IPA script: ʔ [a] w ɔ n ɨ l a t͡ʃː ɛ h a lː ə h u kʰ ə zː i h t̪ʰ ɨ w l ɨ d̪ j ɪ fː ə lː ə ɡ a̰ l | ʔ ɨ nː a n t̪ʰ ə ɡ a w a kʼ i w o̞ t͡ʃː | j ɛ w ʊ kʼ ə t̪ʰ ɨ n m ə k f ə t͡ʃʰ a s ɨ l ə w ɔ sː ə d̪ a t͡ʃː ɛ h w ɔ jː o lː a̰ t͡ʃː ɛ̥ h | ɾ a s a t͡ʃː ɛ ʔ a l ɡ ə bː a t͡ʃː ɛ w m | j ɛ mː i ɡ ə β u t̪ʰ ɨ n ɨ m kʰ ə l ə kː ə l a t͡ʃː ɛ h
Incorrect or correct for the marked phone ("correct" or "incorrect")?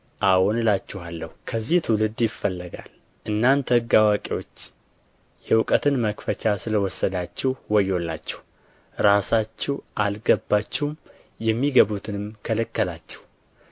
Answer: correct